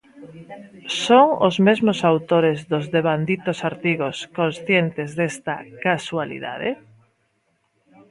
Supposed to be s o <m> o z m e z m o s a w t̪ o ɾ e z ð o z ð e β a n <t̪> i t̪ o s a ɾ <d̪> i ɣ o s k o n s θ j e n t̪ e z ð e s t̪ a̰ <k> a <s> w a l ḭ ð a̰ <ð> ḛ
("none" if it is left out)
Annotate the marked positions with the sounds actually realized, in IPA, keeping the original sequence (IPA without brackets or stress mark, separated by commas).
ŋ, d̪, t̪, k, s, ð